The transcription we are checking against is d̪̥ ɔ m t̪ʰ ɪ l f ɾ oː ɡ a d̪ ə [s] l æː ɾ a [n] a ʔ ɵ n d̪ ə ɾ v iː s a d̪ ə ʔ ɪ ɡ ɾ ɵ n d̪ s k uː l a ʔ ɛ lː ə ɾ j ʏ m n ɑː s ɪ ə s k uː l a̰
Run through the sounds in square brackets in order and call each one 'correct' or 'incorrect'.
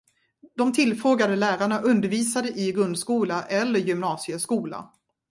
incorrect: none, incorrect: ɳ

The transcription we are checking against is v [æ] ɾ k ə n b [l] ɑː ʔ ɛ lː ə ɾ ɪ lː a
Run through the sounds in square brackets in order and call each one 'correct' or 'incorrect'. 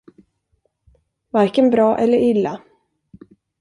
incorrect: a, incorrect: ɾ

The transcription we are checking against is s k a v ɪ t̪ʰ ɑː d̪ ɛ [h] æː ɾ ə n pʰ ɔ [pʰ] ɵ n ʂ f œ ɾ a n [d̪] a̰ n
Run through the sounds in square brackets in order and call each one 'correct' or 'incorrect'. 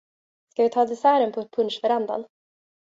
incorrect: s, correct, correct

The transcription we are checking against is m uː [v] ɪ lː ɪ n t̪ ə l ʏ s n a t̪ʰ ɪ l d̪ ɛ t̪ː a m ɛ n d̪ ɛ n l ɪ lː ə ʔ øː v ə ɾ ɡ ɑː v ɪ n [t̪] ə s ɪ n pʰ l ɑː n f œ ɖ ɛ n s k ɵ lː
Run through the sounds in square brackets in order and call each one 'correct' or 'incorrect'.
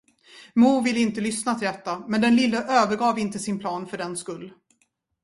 correct, correct

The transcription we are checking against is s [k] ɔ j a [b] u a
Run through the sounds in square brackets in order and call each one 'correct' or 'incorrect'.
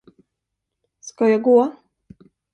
correct, incorrect: ɡ

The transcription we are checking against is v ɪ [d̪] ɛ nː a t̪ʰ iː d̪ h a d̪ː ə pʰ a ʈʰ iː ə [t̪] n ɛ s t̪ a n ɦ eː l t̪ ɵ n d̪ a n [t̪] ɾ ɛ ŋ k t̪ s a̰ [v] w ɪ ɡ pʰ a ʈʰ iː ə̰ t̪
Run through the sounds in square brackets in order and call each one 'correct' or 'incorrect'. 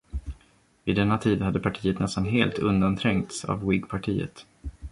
correct, correct, incorrect: t̪ʰ, correct

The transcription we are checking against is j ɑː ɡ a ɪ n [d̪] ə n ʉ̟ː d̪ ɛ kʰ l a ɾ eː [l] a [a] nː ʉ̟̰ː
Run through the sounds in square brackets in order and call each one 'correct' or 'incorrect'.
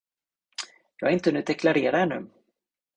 incorrect: t̪, incorrect: ɾ, incorrect: ɛ

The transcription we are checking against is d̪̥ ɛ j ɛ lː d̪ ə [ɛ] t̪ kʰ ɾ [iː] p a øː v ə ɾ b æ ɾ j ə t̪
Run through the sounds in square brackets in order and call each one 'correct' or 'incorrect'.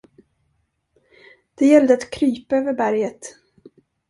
incorrect: a, incorrect: yː

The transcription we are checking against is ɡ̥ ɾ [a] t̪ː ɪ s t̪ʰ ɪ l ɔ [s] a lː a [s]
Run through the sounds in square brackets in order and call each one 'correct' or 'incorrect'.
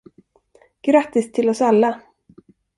correct, correct, incorrect: none

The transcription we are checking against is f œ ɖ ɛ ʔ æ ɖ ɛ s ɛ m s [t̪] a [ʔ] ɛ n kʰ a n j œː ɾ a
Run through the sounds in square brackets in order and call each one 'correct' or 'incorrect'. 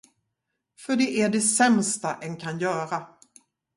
correct, correct

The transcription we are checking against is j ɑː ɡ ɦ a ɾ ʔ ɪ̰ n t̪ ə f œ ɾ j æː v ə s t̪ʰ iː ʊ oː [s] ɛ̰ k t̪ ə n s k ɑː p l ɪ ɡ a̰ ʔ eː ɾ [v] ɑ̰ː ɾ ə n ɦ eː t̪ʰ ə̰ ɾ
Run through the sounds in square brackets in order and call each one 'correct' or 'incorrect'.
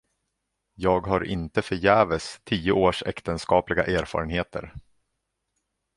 incorrect: ʂ, incorrect: f

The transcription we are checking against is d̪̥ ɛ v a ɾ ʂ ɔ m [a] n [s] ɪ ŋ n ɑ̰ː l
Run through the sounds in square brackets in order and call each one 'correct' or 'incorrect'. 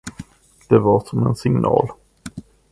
incorrect: ɛ, correct

